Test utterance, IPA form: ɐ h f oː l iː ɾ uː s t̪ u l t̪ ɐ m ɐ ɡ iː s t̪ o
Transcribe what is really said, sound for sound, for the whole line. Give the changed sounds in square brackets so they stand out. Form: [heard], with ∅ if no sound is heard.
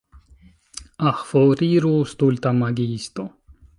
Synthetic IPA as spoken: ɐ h f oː [ɾ] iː ɾ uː s t̪ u l t̪ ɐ m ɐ ɡ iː s t̪ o